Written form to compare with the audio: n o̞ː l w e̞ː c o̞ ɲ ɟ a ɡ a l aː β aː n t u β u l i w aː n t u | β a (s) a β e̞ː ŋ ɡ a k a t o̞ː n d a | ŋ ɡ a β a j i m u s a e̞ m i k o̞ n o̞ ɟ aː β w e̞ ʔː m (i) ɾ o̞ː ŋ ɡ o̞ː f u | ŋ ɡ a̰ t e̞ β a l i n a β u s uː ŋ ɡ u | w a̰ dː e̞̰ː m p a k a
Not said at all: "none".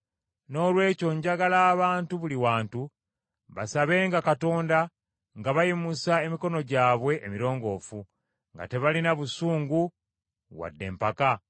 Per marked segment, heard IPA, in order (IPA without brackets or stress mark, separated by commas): s, i